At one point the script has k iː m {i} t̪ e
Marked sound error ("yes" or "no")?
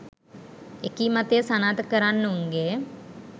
yes